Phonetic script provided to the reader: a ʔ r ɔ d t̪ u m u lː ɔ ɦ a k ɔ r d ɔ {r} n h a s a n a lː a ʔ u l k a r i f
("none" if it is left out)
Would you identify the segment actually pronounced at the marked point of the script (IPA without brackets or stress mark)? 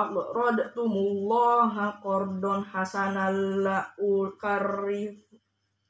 none